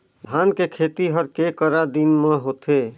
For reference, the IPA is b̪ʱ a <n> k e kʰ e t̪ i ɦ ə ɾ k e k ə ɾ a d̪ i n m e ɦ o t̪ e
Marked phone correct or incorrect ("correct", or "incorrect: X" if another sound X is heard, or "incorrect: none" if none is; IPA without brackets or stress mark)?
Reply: correct